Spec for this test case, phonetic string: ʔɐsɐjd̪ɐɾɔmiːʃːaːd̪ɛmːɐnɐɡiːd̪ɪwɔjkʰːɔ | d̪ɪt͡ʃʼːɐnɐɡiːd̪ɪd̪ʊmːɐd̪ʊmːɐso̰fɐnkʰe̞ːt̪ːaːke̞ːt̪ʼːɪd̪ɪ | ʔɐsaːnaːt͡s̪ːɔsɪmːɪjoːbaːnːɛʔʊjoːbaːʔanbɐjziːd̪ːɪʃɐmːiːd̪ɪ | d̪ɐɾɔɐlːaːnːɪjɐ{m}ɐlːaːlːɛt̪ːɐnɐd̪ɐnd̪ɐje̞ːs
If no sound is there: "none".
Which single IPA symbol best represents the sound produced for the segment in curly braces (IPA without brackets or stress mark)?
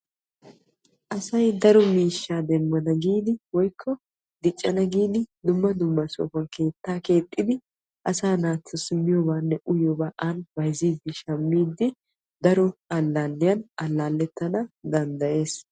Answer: n